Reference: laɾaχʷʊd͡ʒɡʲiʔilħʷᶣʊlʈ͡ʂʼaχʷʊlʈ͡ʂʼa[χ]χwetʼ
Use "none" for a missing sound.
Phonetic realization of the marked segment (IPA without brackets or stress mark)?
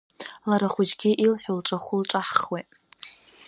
ħ